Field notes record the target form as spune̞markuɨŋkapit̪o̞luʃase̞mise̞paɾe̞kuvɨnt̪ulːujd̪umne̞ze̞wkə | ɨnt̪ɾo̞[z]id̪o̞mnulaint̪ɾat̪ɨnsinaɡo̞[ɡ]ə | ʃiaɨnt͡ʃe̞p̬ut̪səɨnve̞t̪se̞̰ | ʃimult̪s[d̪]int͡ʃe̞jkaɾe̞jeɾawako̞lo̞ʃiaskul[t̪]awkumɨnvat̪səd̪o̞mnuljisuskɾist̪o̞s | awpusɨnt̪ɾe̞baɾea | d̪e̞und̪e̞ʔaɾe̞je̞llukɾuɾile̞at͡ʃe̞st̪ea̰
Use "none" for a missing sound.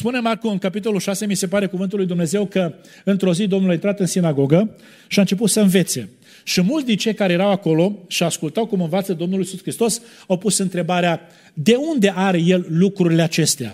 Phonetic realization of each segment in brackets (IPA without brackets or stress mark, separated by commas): z, ɡ, d̪, t̪